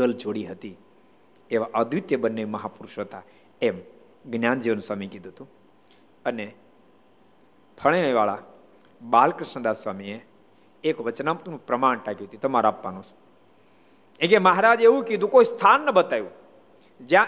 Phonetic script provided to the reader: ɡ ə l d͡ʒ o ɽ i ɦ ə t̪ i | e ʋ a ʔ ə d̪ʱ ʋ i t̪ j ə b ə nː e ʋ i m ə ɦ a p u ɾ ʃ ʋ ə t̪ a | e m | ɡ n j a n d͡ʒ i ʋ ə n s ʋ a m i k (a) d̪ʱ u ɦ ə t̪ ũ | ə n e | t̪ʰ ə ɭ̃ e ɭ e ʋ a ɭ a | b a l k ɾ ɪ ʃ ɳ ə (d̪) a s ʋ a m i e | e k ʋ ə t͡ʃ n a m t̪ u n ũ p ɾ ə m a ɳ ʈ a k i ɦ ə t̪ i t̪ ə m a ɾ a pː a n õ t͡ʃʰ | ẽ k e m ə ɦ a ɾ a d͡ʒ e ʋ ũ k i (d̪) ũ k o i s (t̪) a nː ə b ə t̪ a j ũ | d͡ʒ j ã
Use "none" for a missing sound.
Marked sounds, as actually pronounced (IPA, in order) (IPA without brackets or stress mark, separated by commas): i, d̪, d̪, t̪ʰ